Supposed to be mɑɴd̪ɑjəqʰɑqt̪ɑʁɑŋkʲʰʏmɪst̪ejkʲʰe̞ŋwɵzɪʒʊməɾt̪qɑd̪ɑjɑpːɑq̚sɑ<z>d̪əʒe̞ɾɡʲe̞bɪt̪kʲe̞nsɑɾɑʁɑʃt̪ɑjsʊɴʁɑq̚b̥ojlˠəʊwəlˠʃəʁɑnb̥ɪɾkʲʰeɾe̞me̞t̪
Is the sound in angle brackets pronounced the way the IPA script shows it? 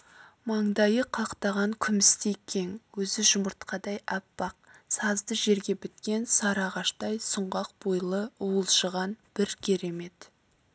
yes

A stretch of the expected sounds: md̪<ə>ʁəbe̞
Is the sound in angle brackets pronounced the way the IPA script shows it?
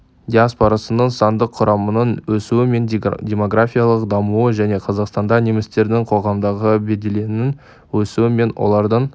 no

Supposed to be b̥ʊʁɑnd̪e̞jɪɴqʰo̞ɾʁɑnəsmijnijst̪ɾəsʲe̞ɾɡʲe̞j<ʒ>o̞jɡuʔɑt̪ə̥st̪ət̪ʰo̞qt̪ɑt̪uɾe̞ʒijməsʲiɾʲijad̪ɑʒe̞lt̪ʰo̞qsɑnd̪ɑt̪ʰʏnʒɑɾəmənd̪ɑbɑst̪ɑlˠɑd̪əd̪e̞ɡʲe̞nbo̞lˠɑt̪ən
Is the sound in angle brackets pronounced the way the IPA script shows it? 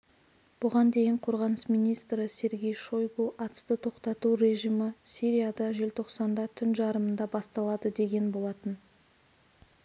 no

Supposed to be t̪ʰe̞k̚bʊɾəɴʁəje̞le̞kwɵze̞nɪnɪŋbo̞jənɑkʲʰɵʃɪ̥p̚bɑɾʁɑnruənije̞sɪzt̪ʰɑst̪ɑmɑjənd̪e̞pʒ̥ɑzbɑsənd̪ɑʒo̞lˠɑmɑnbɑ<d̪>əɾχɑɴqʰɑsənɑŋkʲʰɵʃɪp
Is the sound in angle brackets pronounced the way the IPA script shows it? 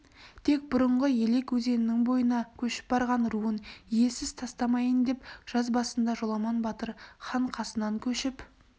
no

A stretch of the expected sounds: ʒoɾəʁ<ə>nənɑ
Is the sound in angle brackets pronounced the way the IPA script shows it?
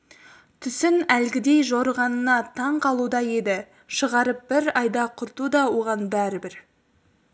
no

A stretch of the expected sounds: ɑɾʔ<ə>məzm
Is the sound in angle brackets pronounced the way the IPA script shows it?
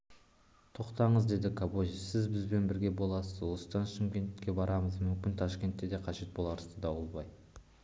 no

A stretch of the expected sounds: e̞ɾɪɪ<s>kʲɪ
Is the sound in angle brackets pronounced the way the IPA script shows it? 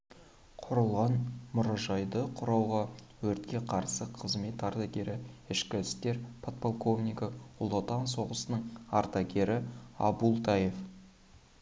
no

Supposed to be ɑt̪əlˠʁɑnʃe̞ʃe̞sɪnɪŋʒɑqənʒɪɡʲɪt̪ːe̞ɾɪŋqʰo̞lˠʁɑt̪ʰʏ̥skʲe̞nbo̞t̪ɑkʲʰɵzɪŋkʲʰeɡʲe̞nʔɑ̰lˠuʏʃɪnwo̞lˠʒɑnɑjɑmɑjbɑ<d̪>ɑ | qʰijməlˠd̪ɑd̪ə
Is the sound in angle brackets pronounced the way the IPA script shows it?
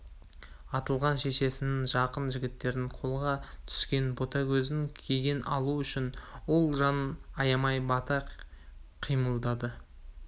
no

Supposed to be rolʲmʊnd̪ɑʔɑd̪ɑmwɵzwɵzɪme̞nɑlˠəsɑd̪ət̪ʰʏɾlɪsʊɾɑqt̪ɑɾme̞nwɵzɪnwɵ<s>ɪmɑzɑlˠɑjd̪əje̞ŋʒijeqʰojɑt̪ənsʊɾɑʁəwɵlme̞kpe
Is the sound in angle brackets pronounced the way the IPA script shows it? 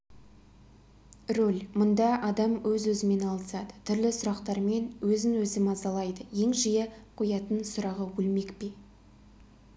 no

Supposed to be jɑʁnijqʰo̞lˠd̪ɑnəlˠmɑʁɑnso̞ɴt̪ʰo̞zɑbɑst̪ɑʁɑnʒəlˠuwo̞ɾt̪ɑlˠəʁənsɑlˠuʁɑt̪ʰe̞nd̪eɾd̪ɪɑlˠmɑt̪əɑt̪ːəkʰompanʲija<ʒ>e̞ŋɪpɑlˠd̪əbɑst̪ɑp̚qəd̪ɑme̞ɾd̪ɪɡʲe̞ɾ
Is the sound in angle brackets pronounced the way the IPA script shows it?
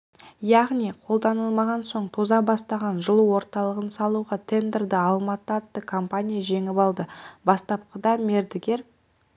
yes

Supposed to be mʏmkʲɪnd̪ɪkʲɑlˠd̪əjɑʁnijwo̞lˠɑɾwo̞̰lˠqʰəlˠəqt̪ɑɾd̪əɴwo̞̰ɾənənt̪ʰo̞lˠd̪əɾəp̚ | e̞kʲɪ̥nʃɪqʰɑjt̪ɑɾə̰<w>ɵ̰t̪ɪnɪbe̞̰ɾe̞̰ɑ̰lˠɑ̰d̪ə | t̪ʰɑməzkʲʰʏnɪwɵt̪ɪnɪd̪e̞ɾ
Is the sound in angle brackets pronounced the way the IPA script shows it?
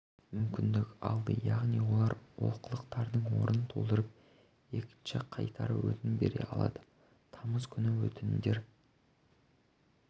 yes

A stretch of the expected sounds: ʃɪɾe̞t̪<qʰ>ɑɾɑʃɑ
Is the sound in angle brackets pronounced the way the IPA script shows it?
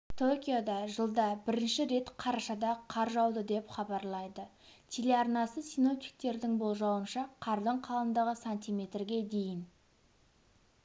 yes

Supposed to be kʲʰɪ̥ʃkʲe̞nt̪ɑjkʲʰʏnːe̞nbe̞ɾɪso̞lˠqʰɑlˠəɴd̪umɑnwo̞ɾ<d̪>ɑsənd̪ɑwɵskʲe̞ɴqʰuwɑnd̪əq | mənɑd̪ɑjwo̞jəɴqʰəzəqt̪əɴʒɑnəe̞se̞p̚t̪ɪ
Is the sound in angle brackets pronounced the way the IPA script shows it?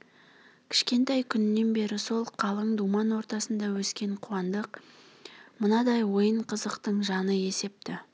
no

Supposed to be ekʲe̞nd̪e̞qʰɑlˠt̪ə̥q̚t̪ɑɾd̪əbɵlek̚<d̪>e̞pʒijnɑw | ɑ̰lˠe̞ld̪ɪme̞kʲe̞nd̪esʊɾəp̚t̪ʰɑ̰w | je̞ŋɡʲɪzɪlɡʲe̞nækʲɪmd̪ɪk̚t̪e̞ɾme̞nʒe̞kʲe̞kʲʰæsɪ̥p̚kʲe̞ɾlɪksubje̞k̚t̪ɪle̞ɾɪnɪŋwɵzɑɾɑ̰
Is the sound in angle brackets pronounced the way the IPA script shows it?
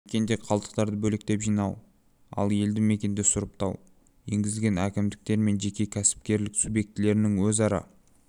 no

